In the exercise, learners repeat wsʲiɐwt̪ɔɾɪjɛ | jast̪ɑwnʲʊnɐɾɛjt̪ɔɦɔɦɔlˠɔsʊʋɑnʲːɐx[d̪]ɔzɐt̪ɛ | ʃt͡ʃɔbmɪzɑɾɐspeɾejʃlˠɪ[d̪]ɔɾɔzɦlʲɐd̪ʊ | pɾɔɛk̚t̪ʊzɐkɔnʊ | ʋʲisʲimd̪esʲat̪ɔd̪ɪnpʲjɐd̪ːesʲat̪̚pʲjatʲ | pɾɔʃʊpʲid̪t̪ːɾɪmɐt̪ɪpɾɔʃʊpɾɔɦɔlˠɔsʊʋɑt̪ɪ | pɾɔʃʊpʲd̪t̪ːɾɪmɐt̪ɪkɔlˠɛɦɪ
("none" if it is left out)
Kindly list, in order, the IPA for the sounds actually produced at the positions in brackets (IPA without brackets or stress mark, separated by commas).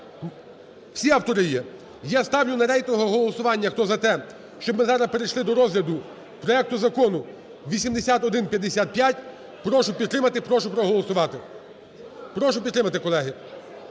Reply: t̪, d̪